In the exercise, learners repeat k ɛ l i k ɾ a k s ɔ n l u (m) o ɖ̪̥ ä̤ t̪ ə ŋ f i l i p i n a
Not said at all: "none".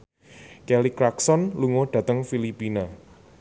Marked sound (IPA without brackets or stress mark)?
ŋ